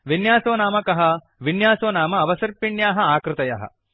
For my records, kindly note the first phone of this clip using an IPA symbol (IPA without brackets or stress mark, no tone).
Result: ʋ